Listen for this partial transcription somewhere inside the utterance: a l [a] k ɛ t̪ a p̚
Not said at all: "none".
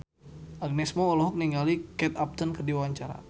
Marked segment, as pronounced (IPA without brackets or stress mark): i